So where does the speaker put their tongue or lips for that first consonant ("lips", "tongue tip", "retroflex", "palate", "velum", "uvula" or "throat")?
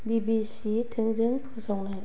lips